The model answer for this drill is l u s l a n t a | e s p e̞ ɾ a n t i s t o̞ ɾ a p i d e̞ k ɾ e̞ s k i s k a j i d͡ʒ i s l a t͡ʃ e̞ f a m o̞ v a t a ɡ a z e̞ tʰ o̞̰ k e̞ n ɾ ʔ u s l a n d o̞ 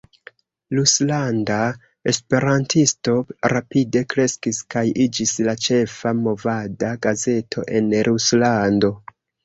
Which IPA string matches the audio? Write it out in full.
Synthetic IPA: l u s l a n d a | e s p e̞ ɾ a n t i s t o̞ ɾ a p i d e̞ k ɾ e̞ s k i s k a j i d͡ʒ i s l a t͡ʃ e̞ f a m o̞ v a d a ɡ a z e̞ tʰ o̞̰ ʔ e̞ n ɾ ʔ u s l a n d o̞